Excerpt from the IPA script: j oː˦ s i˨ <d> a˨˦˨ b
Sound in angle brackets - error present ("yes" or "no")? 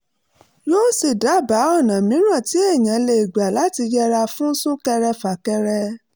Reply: no